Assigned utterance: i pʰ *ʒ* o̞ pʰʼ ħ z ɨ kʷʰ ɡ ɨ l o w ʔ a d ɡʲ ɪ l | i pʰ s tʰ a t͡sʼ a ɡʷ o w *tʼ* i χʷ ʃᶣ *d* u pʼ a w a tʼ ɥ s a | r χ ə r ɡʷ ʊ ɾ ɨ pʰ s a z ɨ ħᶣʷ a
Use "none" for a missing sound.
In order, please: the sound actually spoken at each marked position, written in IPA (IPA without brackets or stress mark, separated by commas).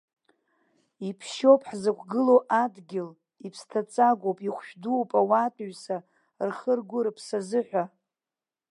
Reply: ʃ, pʼ, d